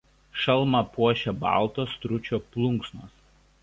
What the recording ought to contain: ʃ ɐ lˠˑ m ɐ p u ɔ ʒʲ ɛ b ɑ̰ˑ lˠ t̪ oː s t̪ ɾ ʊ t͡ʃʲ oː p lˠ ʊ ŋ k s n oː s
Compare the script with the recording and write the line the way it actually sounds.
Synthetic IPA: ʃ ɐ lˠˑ m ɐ p u ɔ ʃʲ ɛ b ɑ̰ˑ lˠ t̪ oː s t̪ ɾ ʊ t͡ʃʲ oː p lˠ ʊ ŋ k s n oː s